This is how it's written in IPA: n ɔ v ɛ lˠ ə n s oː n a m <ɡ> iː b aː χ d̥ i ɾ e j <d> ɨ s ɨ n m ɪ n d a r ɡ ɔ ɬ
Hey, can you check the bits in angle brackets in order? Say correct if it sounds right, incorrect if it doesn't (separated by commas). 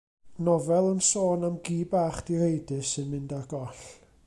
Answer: correct, correct